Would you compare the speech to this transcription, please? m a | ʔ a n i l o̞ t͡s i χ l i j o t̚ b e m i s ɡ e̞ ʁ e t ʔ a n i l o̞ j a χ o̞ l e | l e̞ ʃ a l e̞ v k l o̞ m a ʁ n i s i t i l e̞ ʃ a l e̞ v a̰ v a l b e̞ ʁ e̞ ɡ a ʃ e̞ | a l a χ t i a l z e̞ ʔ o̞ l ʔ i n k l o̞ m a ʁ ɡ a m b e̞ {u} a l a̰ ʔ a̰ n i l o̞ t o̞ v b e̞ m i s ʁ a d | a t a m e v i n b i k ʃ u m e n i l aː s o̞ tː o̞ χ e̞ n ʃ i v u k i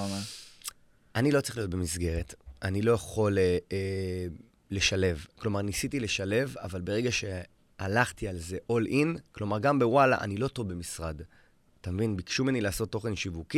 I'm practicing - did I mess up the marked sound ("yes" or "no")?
yes